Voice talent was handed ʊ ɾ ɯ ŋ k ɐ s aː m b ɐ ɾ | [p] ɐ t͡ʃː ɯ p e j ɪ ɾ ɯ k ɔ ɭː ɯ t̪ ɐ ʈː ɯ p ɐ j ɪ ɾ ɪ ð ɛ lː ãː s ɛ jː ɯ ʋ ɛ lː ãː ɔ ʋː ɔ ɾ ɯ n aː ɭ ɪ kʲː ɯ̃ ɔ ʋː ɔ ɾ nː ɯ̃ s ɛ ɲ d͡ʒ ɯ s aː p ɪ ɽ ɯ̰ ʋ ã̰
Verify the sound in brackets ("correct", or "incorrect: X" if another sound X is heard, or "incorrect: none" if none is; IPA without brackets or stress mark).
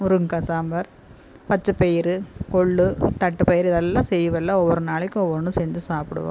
correct